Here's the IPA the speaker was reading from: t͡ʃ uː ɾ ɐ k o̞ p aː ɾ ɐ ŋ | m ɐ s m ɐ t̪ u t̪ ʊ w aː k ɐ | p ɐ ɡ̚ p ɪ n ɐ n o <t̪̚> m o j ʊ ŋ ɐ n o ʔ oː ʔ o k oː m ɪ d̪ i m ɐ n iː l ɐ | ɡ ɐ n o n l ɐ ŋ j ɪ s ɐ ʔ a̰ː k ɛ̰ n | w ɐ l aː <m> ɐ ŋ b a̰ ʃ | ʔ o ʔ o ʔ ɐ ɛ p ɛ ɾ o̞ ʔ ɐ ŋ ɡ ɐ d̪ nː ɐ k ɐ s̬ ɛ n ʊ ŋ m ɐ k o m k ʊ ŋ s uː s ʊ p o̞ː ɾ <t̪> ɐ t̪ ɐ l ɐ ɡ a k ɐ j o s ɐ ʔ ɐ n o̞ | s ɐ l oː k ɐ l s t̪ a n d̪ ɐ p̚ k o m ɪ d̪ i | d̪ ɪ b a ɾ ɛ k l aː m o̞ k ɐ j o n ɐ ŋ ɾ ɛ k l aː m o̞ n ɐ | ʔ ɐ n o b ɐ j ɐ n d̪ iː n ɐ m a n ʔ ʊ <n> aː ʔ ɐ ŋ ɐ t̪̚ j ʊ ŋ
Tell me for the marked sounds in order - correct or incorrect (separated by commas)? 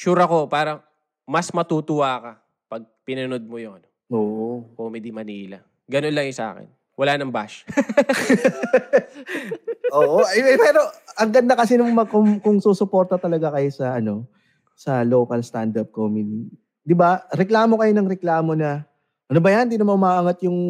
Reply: incorrect, incorrect, correct, incorrect